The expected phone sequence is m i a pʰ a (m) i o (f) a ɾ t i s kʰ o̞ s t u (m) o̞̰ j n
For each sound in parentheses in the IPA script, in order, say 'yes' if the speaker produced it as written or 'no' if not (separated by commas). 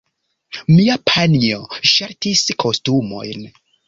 no, no, yes